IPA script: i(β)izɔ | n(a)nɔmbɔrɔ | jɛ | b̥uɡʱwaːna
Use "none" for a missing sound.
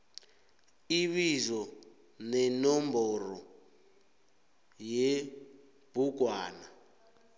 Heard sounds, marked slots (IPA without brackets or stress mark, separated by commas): β, ɛ